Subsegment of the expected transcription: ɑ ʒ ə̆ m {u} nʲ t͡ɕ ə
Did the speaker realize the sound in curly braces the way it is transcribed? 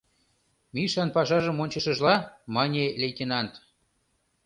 no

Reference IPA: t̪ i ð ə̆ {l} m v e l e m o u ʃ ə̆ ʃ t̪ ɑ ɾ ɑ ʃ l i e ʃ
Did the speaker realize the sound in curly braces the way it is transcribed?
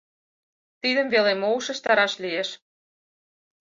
no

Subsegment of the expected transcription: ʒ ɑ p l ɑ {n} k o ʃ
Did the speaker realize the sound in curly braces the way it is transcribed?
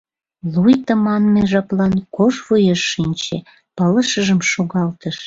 yes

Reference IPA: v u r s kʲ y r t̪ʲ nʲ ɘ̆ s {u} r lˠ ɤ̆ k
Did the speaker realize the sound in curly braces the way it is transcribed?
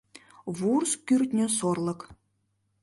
no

